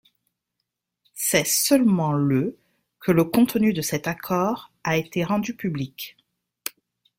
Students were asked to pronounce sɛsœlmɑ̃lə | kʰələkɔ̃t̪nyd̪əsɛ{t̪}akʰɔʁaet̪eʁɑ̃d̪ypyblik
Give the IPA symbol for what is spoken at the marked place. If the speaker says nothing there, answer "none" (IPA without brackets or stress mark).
t̪